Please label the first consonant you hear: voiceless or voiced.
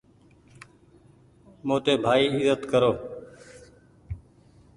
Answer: voiced